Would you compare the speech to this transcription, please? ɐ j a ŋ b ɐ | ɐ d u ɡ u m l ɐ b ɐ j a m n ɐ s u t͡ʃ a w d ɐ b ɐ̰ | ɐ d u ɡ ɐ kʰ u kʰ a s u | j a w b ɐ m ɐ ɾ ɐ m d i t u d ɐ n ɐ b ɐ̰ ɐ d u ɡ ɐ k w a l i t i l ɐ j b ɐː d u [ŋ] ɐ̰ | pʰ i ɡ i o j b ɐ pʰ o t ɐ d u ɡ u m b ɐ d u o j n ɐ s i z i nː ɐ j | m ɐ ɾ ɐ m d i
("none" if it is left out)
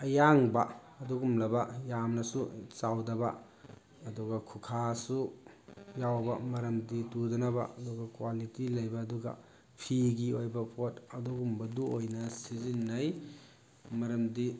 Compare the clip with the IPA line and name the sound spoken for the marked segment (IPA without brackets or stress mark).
ɡ